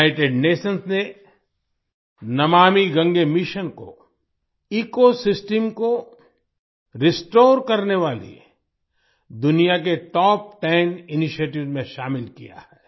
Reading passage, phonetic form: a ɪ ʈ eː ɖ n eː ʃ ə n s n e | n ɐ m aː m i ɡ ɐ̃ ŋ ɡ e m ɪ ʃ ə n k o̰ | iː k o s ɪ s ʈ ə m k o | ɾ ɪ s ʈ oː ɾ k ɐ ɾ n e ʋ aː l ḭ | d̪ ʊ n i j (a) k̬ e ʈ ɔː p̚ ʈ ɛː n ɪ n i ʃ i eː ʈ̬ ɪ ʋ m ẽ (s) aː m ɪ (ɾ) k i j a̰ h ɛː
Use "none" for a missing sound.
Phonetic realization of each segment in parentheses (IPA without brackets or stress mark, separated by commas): a, ʃ, l